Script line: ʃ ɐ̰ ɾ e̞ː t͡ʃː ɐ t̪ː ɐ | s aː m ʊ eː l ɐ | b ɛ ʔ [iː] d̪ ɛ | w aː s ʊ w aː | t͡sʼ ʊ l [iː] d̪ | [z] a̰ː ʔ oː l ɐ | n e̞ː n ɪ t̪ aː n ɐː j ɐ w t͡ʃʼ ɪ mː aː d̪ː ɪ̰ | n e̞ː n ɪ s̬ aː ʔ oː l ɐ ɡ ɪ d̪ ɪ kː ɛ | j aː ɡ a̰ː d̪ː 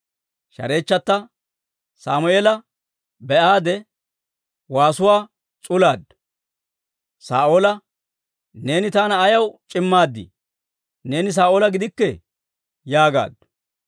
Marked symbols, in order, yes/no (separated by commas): no, no, no